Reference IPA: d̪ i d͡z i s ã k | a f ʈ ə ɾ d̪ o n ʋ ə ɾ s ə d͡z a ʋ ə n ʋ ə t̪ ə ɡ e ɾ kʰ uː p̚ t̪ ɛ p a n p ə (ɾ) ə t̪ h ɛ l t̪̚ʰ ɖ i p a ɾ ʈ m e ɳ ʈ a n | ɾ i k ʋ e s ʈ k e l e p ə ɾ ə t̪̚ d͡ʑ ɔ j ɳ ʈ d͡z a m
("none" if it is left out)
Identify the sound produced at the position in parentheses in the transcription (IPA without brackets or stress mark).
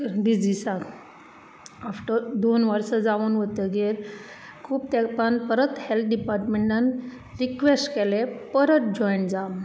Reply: ɾ